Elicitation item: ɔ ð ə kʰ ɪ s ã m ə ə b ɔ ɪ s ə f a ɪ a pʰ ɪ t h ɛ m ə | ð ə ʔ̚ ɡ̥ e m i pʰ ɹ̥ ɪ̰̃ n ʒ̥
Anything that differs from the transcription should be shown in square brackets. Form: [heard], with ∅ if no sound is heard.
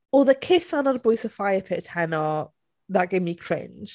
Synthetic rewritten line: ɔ ð ə kʰ ɪ s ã [n] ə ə b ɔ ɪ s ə f a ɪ [ə] pʰ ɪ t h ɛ [n] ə | ð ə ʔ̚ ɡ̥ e m i [kʰ] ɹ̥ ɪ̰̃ n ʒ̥